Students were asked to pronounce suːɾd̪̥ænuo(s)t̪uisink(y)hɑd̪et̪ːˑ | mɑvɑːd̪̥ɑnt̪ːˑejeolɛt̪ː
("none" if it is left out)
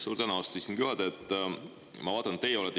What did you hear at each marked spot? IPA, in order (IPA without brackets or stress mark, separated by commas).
s, y